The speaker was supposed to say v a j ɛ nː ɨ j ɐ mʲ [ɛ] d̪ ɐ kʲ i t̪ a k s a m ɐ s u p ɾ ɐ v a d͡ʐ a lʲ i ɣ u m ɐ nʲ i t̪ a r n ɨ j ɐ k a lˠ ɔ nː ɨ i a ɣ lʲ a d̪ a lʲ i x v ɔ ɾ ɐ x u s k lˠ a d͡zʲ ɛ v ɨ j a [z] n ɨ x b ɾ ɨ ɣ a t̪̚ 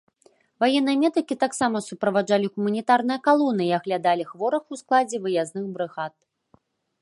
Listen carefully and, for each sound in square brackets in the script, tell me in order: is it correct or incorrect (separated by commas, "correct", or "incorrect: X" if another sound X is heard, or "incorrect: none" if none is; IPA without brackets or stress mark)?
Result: correct, correct